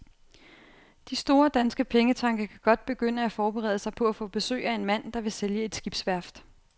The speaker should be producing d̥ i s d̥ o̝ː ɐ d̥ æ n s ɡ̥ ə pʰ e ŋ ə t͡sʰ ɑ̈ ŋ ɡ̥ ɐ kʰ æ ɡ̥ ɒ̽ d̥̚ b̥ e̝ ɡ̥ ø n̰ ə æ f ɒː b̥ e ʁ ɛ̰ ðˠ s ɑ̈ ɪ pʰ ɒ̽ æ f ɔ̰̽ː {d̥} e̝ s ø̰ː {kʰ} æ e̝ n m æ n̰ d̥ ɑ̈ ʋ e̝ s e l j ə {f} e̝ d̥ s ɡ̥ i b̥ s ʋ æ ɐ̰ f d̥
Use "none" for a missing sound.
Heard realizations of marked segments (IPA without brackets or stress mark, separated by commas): b̥, none, none